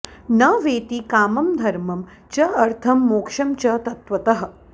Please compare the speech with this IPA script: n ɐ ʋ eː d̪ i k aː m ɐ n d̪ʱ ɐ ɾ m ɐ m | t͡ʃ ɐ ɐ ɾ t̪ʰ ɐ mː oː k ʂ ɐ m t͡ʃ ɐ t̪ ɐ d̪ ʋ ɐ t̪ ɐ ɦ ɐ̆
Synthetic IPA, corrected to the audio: n ɐ ʋ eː t̪ i k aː m ɐ m d̪ʱ ɐ ɾ m ɐ m | t͡ʃ ɐ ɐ ɾ t̪ʰ ɐ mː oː k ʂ ɐ m t͡ʃ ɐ t̪ ɐ t̪ ʋ ɐ t̪ ɐ ɦ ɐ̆